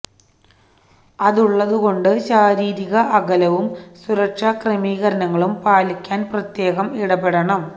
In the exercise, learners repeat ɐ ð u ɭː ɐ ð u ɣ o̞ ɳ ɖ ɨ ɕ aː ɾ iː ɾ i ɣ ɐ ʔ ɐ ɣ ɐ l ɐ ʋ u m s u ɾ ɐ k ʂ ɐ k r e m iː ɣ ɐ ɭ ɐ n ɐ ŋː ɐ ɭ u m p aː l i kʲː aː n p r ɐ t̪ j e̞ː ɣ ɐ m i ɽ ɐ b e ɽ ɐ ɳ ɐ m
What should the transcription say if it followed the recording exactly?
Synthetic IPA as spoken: ɐ ð u ɭː ɐ ð u ɣ o̞ ɳ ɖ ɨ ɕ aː ɾ iː ɾ i ɣ ɐ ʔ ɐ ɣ ɐ l ɐ ʋ u m s u ɾ ɐ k ʂ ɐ k r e m iː ɣ ɐ ɾ ɐ n ɐ ŋː ɐ ɭ u m p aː l i kʲː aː n p r ɐ t̪ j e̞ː ɣ ɐ m i ɽ ɐ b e ɽ ɐ ɳ ɐ m